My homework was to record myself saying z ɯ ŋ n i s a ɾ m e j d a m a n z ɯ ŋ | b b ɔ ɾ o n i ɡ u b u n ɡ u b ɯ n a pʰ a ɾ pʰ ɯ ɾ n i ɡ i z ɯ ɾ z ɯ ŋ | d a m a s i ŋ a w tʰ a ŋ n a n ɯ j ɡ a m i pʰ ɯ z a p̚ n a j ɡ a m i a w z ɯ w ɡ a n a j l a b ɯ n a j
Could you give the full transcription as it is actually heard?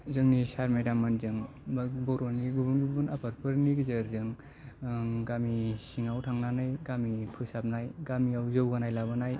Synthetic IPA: z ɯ ŋ n i s a ɾ m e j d a m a n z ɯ ŋ | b b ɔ ɾ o n i ɡ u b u n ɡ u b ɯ n a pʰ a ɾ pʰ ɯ ɾ n i ɡ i z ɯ ɾ z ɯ ŋ | ɡ a m i s i ŋ a w tʰ a ŋ n a n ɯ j ɡ a m i pʰ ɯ s a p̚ n a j ɡ a m i a w z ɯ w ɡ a n a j l a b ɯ n a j